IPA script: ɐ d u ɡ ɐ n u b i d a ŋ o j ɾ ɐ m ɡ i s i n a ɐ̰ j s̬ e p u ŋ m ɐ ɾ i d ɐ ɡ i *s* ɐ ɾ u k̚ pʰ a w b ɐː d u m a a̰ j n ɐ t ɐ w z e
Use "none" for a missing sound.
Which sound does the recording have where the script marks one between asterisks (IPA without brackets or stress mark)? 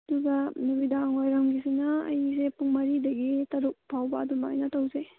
t